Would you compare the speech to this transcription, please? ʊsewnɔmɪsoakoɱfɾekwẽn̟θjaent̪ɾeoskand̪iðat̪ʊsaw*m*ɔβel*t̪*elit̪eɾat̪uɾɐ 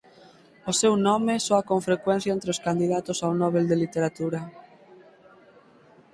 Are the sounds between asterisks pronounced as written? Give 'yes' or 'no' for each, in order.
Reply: no, no

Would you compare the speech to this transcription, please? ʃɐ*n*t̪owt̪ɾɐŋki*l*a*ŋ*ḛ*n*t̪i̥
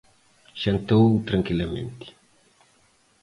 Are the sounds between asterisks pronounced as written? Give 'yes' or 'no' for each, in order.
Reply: yes, yes, no, yes

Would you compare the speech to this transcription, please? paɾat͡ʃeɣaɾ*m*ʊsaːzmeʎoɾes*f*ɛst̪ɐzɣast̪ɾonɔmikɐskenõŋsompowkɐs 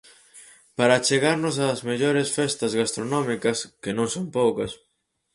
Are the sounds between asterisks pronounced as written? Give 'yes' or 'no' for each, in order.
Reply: no, yes

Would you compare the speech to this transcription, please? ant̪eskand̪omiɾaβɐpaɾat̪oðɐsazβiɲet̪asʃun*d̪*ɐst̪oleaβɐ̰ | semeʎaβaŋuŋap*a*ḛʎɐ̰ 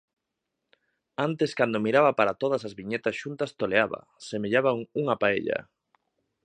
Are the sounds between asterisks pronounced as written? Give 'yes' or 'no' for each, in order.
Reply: no, yes

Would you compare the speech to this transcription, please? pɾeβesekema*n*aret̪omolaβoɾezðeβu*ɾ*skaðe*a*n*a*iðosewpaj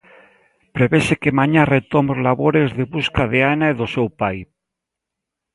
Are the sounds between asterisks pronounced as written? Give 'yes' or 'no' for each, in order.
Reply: no, no, yes, yes

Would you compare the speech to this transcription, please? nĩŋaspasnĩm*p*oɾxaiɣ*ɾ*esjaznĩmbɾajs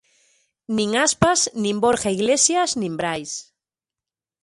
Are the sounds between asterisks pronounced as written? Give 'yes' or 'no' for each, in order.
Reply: no, no

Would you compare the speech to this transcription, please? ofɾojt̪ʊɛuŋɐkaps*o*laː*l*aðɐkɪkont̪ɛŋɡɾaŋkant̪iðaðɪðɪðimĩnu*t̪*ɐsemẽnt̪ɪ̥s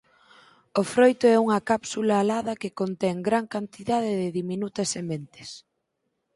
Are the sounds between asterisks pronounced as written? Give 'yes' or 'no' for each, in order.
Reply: no, yes, yes

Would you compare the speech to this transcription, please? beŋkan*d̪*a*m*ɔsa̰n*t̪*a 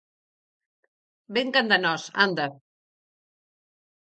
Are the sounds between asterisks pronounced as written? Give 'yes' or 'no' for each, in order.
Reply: yes, no, no

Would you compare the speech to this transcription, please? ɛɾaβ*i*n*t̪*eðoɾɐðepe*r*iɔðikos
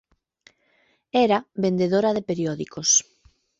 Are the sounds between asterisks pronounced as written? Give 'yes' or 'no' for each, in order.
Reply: no, no, no

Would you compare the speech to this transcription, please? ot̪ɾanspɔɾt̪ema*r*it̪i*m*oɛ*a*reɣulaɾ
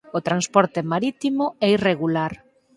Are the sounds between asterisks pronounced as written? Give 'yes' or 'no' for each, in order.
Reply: no, yes, no

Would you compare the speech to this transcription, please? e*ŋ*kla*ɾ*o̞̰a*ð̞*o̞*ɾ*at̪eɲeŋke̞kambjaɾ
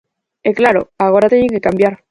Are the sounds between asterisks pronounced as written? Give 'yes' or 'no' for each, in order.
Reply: no, yes, no, yes

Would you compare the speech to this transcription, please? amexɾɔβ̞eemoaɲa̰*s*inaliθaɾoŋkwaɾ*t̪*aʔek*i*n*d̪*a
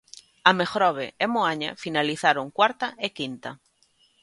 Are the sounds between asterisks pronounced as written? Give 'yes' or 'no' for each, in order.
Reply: no, yes, yes, no

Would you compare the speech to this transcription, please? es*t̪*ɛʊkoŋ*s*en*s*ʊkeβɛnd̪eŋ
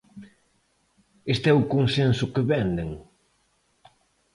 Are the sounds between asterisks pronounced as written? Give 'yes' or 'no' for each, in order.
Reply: yes, yes, yes

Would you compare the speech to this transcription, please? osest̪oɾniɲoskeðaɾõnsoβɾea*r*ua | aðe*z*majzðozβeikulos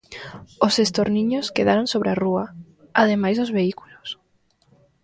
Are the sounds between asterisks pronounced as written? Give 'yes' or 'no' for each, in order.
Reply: yes, no

